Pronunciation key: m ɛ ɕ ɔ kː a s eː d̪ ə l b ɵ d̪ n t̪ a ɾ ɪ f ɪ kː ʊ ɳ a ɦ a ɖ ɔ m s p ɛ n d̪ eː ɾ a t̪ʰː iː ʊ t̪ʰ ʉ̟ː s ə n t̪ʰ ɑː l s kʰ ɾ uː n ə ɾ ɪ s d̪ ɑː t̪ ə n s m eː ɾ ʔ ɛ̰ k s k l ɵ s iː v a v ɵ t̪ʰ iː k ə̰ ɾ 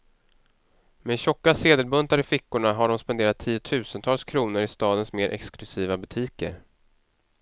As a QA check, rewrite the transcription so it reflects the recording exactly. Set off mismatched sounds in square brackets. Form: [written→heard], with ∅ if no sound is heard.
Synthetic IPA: m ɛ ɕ ɔ kː a s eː d̪ ə l b ɵ [d̪→∅] n t̪ a ɾ ɪ f ɪ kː ʊ ɳ a ɦ a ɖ ɔ m s p ɛ n d̪ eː ɾ a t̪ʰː iː ʊ t̪ʰ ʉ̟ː s ə n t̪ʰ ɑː l s kʰ ɾ uː n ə ɾ ɪ s [d̪→t̪] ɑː [t̪→d̪] ə n s m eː ɾ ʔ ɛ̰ k s k l ɵ s iː v a [v→b] ɵ t̪ʰ iː k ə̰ ɾ